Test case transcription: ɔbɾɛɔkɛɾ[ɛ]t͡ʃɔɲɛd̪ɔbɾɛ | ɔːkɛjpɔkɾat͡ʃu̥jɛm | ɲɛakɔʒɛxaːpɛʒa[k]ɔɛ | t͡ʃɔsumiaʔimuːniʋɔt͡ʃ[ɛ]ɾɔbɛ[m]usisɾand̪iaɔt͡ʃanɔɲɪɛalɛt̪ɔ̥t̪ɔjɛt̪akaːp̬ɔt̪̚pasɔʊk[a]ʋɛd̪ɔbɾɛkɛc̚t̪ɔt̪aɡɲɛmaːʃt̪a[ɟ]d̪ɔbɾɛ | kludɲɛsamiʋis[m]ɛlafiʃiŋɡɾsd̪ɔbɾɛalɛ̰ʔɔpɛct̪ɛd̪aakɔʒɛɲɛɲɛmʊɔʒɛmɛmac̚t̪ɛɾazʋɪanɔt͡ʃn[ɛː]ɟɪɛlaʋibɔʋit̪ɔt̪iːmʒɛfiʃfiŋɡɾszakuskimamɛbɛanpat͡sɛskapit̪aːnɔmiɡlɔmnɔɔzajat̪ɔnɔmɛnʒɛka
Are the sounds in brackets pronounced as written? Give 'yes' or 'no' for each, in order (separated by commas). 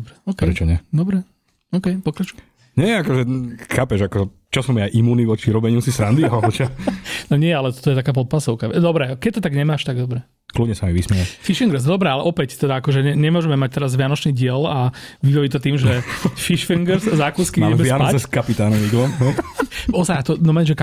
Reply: yes, yes, no, no, yes, no, yes, no